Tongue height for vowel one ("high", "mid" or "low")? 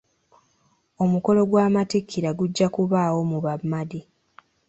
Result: mid